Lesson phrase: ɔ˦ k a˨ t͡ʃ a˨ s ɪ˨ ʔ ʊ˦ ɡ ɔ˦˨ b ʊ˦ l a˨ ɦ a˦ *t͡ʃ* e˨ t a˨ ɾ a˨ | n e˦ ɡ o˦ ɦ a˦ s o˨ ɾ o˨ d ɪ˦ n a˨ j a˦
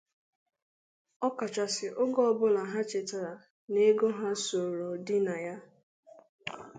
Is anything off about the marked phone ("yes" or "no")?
no